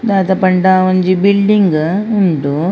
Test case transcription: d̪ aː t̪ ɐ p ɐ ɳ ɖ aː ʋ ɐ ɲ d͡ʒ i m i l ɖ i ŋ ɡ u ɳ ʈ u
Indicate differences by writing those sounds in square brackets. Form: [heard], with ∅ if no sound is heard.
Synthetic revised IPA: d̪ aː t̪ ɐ p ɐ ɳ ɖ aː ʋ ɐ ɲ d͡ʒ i [b] i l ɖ i ŋ ɡ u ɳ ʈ u